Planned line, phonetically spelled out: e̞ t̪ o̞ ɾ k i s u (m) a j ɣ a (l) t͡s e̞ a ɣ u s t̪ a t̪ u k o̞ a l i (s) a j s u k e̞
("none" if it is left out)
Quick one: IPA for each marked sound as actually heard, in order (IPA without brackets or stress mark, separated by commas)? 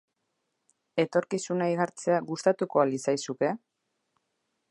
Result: n, ɾ, s